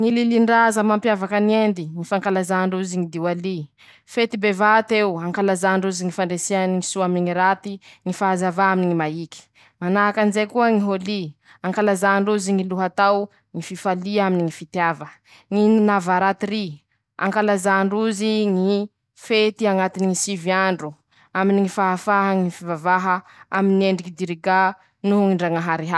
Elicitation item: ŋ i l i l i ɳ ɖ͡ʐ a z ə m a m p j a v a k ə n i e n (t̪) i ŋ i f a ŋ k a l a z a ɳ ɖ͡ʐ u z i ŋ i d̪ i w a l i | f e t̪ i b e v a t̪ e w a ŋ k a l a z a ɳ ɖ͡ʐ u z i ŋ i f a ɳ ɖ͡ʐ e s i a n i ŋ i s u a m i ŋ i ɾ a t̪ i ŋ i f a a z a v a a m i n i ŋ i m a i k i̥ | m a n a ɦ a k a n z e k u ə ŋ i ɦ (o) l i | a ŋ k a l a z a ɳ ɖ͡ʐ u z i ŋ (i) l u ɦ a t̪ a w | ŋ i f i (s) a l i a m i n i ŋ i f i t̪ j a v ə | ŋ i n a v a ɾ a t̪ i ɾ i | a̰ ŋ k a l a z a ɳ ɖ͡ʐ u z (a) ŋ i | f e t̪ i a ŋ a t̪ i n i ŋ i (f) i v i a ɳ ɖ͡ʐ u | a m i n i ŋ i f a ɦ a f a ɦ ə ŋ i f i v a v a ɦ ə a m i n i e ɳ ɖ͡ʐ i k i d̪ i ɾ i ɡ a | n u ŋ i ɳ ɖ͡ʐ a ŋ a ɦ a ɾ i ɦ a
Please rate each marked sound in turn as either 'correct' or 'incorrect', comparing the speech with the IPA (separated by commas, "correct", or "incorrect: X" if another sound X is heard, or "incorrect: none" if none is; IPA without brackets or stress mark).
incorrect: d̪, correct, correct, incorrect: f, incorrect: i, incorrect: s